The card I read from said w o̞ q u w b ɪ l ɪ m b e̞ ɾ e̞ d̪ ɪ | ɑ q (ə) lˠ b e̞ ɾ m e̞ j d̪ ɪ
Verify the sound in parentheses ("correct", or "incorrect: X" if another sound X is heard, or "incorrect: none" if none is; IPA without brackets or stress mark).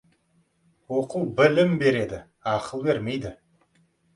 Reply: correct